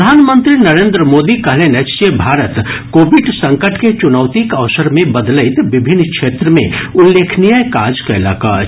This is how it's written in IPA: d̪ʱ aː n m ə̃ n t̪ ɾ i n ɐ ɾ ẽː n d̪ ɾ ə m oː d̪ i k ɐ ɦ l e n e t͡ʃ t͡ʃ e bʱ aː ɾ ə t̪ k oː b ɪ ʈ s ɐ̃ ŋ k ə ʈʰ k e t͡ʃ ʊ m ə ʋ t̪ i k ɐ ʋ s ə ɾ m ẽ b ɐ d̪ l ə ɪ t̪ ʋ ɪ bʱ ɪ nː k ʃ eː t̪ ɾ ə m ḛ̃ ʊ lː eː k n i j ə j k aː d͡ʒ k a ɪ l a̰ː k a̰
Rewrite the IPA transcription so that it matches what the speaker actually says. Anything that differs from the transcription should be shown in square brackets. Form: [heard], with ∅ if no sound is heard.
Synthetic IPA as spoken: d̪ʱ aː n m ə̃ n t̪ ɾ i n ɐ ɾ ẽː n d̪ ɾ ə m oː d̪ i k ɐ ɦ l e n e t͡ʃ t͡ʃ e bʱ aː ɾ ə t̪ k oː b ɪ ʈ s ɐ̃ ŋ k ə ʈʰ k e t͡ʃ ʊ [n] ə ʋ t̪ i k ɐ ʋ s ə ɾ m ẽ b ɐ d̪ l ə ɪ t̪ ʋ ɪ bʱ ɪ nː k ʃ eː t̪ ɾ ə m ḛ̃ ʊ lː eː [kʰ] n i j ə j k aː d͡ʒ k a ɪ l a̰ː k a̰